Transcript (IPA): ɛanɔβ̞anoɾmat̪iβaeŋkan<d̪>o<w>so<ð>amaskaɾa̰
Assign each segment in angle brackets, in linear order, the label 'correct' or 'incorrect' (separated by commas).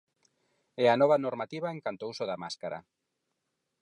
incorrect, incorrect, correct